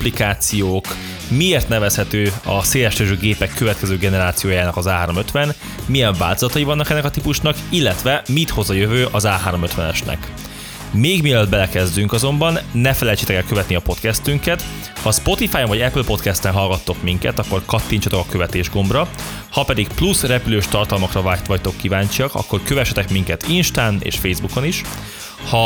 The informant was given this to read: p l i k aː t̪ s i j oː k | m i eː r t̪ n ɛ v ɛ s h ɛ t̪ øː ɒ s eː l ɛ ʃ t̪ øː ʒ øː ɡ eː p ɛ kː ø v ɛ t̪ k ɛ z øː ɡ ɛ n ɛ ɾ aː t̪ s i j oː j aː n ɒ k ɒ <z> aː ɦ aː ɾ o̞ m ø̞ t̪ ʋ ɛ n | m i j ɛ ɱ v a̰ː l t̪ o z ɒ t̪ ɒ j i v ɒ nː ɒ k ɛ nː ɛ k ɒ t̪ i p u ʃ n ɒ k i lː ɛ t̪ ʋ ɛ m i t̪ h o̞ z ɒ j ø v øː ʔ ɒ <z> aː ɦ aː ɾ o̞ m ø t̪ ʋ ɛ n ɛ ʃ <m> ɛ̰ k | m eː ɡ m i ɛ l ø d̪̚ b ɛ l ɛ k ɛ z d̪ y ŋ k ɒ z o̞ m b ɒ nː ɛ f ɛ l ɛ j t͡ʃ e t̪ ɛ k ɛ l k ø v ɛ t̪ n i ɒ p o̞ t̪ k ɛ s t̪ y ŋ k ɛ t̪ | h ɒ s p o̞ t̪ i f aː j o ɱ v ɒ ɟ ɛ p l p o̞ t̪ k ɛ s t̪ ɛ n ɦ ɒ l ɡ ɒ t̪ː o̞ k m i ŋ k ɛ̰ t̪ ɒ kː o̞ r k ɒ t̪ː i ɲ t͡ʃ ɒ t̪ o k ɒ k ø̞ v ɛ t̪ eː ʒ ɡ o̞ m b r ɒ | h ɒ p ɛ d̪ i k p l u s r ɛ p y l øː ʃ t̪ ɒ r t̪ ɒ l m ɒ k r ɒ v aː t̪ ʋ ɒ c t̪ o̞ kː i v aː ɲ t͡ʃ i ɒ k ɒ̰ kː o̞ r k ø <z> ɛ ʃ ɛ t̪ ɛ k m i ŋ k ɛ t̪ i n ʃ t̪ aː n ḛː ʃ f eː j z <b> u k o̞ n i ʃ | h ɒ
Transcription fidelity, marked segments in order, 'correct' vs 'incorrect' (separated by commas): correct, correct, incorrect, incorrect, correct